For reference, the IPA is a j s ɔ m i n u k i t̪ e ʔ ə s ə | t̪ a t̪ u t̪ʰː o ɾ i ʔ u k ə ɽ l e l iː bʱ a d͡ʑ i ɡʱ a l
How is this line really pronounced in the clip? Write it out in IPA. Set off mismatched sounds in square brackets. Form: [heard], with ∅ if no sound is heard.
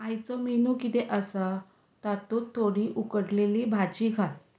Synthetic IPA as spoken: a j [t͡s] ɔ m i n u k i t̪ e ʔ ə s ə | t̪ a t̪ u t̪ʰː o [ɽ] i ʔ u k ə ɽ l e l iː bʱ a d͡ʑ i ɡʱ a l